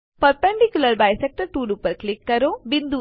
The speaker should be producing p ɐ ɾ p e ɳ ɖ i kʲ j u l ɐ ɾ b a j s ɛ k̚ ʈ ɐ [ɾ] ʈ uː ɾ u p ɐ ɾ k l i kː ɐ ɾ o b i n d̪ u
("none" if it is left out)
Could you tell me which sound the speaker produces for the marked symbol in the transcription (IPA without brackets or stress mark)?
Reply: ɾ